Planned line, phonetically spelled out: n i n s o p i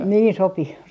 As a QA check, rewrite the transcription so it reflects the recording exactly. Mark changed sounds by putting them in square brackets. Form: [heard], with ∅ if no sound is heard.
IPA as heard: n [iː] n s o p i